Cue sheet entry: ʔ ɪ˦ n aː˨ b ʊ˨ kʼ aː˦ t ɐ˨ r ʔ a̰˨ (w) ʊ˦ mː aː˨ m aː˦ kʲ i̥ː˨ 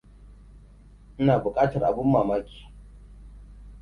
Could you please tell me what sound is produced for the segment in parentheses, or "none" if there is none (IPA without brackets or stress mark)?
b